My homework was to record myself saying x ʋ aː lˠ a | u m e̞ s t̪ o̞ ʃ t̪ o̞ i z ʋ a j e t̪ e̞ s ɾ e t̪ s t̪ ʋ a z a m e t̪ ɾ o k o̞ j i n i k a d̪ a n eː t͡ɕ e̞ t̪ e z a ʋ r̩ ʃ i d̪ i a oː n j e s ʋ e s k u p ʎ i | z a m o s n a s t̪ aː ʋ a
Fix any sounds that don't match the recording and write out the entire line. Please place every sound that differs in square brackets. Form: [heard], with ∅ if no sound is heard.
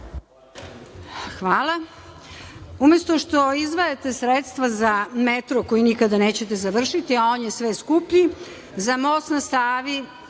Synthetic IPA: x ʋ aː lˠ a | u m e̞ s t̪ o̞ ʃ t̪ o̞ i z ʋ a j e t̪ e̞ s ɾ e t̪ s t̪ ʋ a z a m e t̪ ɾ o k o̞ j i n i k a d̪ a n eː t͡ɕ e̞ t̪ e z a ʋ r̩ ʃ i [t̪] i a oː n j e s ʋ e s k u p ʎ i | z a m o s n a s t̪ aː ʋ [i]